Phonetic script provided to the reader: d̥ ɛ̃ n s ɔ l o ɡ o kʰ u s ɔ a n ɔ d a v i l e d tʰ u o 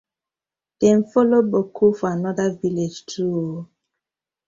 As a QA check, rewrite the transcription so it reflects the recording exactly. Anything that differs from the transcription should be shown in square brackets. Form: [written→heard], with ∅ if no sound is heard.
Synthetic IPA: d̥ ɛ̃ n [s→f] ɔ l o [ɡ→b] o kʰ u [s→f] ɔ a n ɔ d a v i l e [d→d͡ʒ] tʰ u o

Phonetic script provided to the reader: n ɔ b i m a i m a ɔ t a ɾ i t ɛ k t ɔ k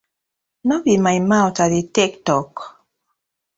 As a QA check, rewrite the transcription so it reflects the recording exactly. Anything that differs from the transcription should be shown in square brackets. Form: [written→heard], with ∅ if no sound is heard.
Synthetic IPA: n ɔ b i m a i m a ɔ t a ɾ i t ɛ k t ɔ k

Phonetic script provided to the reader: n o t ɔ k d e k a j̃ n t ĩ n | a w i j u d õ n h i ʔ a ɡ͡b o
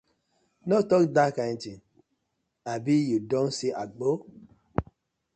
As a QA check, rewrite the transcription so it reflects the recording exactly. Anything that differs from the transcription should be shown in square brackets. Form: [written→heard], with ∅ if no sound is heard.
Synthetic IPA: n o t ɔ k d [e→a] k a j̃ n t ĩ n | a [w→b] i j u d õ n [h→s] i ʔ a ɡ͡b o

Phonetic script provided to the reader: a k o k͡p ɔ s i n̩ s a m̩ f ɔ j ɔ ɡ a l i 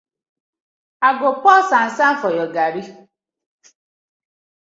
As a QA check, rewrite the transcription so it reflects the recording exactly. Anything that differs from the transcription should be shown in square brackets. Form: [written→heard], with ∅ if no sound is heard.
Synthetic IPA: a [k→ɡ] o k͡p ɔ s [i→a] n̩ s a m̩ f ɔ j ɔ ɡ a [l→ɾ] i

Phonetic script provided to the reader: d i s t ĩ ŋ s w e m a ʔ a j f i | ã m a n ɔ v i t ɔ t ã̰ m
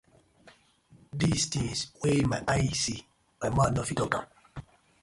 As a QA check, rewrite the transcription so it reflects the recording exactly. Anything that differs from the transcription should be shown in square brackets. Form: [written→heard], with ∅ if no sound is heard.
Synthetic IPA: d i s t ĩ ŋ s w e m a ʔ a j [f→s] i | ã m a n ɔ [v→f] i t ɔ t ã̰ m

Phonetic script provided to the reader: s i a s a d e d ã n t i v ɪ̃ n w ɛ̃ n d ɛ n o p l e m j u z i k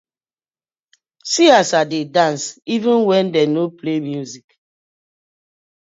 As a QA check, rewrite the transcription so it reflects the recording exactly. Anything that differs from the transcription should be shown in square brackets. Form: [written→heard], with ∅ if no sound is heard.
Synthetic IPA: s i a s a d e d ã n [t→s] i v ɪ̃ n w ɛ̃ n d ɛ n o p l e m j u z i k

